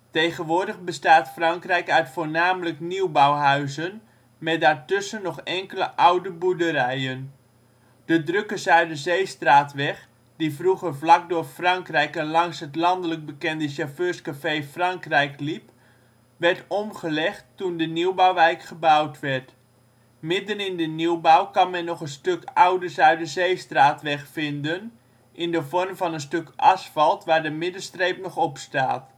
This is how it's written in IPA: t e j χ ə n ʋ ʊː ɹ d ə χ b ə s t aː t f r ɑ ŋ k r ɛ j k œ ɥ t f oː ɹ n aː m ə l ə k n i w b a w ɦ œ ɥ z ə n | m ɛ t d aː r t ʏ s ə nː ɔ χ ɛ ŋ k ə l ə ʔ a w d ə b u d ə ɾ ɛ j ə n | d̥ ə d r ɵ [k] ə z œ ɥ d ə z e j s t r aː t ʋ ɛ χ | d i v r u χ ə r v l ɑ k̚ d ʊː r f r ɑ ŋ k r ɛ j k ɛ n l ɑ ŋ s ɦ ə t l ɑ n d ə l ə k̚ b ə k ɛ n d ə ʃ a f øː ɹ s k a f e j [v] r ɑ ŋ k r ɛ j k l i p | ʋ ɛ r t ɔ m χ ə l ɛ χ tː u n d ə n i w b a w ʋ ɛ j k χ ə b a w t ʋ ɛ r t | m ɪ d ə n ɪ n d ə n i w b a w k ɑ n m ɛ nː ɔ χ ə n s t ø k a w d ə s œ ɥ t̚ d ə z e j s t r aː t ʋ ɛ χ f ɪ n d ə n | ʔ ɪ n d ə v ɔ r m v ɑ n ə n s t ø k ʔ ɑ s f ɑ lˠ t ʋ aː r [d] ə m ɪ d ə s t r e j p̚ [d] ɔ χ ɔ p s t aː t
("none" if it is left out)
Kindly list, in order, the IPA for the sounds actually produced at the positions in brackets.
k, f, d, n

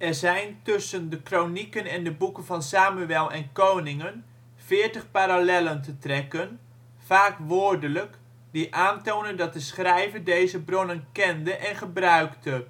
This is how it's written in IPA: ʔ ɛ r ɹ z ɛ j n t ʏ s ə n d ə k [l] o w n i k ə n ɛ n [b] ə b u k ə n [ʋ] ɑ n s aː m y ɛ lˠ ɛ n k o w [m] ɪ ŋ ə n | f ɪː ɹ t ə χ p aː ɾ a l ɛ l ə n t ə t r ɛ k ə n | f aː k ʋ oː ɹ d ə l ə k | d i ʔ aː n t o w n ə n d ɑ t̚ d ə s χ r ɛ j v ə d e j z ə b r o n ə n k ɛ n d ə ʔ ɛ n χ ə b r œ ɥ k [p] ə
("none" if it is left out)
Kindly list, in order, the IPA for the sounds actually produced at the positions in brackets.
r, d, v, n, t

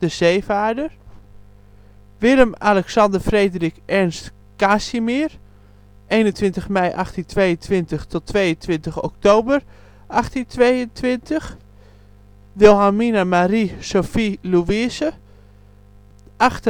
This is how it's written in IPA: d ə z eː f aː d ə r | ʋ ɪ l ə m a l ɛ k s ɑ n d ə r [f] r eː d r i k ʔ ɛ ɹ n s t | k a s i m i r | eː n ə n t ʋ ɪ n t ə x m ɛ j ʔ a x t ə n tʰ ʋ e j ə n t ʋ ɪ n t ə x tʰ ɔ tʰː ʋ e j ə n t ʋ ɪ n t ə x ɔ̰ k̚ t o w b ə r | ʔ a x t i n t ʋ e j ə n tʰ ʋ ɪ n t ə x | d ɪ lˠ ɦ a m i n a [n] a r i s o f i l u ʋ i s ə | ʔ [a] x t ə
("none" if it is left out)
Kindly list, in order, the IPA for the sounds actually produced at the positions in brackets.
f, m, a

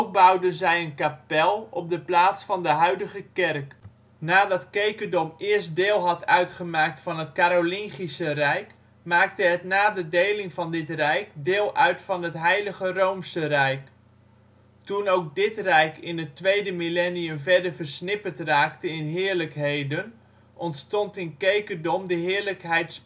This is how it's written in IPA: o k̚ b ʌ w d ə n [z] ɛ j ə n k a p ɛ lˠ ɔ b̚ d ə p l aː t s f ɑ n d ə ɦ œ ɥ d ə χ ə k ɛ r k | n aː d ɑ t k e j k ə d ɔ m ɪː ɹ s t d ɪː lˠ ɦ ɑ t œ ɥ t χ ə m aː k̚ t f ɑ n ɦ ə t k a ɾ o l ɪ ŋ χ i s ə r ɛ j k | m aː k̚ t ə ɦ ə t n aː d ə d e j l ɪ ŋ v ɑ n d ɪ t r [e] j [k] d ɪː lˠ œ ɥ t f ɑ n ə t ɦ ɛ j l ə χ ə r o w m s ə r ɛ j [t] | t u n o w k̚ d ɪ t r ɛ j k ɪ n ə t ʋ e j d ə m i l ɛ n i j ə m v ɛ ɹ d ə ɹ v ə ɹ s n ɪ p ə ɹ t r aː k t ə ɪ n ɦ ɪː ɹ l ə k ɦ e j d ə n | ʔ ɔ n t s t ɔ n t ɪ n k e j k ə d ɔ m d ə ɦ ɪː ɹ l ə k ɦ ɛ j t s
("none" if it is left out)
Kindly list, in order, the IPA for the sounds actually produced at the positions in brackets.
z, ɛ, k, k

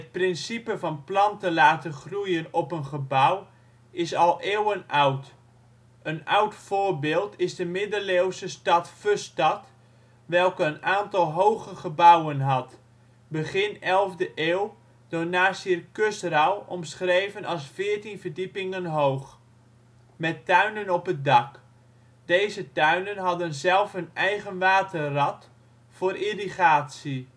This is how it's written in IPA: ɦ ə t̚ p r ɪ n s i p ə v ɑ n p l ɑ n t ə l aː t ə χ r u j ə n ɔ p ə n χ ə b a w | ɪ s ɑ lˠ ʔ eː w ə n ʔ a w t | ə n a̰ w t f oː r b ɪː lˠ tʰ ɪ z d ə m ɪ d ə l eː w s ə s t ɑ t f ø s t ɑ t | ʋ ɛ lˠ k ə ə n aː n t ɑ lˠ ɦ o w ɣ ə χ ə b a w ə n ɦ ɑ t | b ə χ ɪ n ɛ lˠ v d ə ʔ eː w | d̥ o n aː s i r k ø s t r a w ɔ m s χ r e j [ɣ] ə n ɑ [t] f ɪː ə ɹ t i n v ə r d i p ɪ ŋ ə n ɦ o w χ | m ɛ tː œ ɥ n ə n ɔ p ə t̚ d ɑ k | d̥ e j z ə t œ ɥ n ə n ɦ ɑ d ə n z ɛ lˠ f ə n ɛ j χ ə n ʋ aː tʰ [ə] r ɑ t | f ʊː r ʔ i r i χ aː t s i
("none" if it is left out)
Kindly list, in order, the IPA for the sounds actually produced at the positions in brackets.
v, s, ə

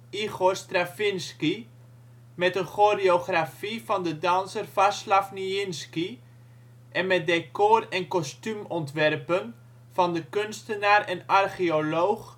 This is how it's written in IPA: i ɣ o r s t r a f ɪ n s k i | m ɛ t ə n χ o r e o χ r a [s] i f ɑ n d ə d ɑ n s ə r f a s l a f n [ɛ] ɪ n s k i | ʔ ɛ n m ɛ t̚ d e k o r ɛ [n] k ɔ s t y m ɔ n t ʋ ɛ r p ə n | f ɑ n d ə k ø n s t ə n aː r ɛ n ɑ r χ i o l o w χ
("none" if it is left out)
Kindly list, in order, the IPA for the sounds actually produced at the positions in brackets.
f, i, n

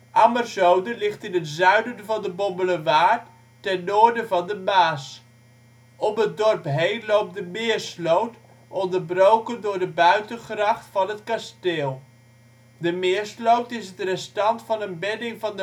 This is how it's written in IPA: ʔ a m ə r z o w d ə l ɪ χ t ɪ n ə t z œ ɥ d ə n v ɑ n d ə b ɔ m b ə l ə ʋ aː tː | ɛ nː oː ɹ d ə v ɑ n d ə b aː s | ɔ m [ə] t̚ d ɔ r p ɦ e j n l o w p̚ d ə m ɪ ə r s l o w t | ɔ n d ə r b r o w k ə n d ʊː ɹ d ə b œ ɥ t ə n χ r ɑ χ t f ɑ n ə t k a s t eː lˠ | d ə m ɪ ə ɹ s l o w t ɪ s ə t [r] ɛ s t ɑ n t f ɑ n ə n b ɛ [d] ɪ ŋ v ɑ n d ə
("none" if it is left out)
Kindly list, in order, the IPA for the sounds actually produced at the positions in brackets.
ə, r, d

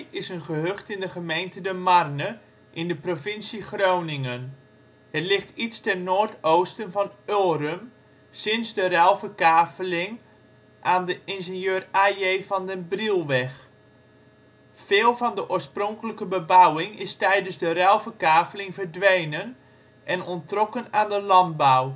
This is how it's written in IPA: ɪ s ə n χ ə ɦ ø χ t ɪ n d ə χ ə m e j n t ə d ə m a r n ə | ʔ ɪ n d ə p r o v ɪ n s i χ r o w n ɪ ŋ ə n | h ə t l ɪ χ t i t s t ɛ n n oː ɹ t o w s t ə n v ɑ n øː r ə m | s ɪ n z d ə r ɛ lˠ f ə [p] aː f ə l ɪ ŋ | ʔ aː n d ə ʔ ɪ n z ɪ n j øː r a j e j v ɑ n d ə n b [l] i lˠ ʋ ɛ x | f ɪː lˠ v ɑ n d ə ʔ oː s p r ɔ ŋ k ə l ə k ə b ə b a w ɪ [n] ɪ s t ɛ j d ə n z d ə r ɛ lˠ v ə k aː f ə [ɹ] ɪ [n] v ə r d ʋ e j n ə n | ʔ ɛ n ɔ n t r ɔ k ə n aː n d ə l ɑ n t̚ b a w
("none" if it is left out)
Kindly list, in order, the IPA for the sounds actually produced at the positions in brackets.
k, r, ŋ, l, ŋ

